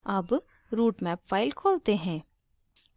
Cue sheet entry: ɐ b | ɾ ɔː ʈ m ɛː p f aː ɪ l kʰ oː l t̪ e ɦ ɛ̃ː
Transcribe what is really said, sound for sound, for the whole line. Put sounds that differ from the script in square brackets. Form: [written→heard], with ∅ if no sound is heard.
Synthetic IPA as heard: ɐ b | ɾ [ɔː→uː] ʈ m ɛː p f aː ɪ l kʰ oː l t̪ e ɦ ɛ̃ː

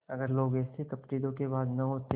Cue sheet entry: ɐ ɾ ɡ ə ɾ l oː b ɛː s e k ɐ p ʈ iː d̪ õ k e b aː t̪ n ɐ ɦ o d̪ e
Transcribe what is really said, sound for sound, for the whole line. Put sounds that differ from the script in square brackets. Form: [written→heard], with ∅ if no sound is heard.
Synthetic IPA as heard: ɐ [ɾ→∅] ɡ ə ɾ l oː [b→ɡ] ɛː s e k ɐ p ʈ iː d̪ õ k e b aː [t̪→d̪] n ɐ ɦ o [d̪→t̪] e

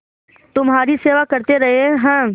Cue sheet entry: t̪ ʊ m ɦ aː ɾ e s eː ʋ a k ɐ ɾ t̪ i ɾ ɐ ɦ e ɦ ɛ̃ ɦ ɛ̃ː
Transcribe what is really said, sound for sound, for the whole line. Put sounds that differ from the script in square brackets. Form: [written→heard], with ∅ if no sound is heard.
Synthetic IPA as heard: t̪ ʊ m ɦ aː ɾ [e→i] s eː ʋ a k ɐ ɾ t̪ [i→e] ɾ ɐ ɦ e ɦ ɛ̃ ɦ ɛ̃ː

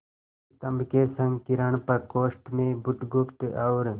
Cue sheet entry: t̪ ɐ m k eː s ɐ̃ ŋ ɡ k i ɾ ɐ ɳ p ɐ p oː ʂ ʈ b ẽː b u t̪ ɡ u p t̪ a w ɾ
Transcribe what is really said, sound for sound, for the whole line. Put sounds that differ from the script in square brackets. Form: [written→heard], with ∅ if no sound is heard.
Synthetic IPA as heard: t̪ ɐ m k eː s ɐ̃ ŋ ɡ k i ɾ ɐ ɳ p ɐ [p→k] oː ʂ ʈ [b→m] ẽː b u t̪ ɡ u p t̪ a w ɾ

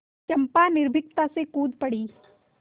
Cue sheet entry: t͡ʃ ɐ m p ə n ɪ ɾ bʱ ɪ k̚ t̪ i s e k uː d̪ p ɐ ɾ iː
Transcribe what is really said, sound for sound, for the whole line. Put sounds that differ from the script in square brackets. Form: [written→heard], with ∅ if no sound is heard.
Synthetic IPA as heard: t͡ʃ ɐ m p [ə→a] n ɪ ɾ bʱ ɪ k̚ t̪ [i→a] s e k uː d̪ p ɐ [ɾ→ɽ] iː

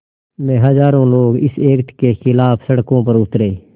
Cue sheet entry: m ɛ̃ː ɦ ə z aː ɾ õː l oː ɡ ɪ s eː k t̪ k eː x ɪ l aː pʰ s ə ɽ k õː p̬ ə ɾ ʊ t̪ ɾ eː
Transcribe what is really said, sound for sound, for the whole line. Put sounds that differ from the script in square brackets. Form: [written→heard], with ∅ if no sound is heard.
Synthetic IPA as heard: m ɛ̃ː ɦ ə z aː ɾ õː l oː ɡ ɪ s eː k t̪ k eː x ɪ l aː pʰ s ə ɽ k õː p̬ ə ɾ ʊ t̪ ɾ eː

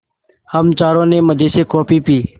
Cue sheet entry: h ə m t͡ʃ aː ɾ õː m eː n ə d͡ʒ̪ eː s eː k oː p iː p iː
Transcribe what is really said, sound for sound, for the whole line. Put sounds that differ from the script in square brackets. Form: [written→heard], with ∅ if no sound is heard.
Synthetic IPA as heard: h ə m t͡ʃ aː ɾ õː [m→n] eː [n→m] ə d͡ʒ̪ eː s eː k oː p iː p iː

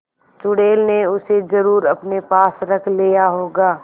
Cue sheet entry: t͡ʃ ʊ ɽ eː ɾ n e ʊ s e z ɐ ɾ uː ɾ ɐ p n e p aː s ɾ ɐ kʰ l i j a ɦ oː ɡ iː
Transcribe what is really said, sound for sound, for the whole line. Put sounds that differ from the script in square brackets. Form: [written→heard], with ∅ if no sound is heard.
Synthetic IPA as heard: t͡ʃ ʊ ɽ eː [ɾ→l] n e ʊ s e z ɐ ɾ uː ɾ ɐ p n e p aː s ɾ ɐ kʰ l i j a ɦ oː ɡ [iː→aː]

